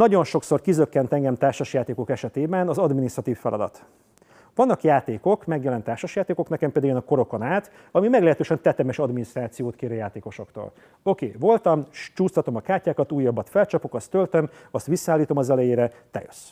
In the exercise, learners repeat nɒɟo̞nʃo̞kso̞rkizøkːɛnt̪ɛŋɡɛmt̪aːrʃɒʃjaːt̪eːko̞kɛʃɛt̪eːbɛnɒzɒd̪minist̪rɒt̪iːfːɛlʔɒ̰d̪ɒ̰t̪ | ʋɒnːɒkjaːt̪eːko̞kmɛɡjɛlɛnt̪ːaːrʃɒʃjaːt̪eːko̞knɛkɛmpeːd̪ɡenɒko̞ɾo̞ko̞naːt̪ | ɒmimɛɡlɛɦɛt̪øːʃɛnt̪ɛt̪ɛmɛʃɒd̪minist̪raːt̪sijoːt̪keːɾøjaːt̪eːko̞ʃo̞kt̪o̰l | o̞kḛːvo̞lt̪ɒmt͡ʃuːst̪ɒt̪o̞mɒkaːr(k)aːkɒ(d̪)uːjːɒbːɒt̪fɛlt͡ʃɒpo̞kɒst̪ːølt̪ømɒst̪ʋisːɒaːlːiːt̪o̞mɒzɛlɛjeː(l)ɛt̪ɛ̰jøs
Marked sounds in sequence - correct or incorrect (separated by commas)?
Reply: incorrect, incorrect, incorrect